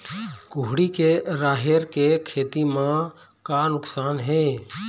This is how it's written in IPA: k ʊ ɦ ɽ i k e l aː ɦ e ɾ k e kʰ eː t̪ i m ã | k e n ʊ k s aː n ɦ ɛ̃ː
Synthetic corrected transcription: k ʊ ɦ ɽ i k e ɾ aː ɦ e ɾ k e kʰ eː t̪ i m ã | k a n ʊ k s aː n ɦ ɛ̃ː